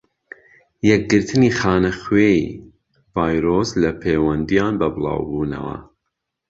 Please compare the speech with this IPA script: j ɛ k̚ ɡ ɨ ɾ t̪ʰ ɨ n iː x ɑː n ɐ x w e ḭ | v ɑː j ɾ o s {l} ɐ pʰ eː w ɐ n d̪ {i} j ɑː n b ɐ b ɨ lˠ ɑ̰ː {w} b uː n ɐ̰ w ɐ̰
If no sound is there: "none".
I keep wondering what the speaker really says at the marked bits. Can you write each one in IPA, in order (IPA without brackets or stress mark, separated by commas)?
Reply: l, i, w